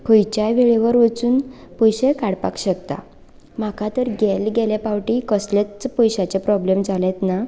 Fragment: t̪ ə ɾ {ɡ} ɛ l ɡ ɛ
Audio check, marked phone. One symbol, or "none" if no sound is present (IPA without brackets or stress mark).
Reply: ɡ